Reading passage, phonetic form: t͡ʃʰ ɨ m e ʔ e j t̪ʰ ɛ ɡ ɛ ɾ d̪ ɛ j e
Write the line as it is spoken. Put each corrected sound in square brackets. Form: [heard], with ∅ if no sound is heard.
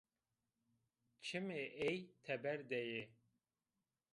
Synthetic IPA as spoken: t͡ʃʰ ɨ m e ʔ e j t̪ʰ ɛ [b] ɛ ɾ d̪ ɛ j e

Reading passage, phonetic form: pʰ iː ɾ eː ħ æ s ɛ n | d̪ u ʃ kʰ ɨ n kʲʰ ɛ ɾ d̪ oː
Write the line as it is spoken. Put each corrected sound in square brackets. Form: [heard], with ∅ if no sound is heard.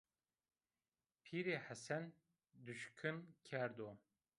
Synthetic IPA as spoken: pʰ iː ɾ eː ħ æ s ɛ n | d̪ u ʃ kʰ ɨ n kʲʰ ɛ ɾ d̪ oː

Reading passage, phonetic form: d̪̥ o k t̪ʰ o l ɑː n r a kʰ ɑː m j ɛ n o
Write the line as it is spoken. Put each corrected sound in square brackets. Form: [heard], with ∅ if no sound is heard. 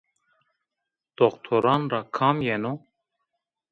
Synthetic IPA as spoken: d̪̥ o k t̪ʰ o [ɾ] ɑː n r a kʰ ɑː m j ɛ n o

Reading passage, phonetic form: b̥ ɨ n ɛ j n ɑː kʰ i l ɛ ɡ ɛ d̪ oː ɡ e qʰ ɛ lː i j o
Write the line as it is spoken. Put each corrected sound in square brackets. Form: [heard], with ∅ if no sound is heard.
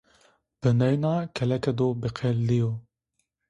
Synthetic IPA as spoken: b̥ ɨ n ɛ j n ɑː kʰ [ɛ] l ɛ [k] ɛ d̪ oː [b] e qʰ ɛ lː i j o

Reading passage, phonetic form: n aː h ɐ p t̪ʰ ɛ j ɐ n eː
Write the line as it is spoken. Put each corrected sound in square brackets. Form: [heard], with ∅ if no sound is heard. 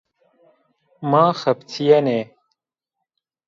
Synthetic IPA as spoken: [m] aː [x] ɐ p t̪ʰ [i] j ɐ n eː

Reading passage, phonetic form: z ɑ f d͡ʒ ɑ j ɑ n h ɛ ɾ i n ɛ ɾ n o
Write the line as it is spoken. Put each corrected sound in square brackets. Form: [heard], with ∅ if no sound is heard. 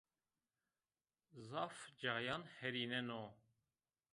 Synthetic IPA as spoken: z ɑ f d͡ʒ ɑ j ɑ n h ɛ ɾ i n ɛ [∅] n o

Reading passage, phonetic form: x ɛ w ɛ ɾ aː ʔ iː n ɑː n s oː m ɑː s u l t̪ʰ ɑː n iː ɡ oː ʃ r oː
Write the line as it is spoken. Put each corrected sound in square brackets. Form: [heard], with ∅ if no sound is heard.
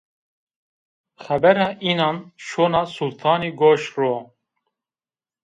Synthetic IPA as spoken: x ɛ [b] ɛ ɾ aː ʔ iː n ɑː n [ʃ] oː [n] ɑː s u l t̪ʰ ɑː n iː ɡ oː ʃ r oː

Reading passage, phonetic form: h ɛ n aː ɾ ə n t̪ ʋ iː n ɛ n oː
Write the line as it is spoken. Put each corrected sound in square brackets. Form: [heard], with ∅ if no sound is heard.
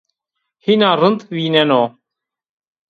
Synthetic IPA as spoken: h [i] n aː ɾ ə n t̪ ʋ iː n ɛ n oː

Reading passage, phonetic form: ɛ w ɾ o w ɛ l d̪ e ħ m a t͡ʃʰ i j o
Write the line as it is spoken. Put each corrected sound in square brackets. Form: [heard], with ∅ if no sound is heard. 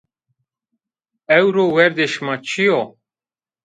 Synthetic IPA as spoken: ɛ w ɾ o w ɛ [ɾ] d̪ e [ʃ] m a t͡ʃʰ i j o

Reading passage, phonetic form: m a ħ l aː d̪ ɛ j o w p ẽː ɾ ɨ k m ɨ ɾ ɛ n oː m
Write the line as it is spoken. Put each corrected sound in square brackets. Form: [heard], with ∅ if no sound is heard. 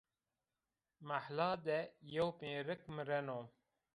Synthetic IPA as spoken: m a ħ l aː d̪ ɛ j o w p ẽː ɾ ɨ k m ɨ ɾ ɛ n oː m

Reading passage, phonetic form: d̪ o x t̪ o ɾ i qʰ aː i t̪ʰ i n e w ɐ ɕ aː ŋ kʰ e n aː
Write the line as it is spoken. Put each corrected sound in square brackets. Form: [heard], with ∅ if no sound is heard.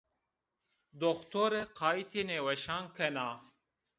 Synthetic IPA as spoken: d̪ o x t̪ o ɾ [e] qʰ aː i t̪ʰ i n e w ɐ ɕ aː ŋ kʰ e n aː

